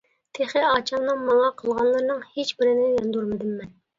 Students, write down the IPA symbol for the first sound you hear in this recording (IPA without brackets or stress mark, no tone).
t̪ʰ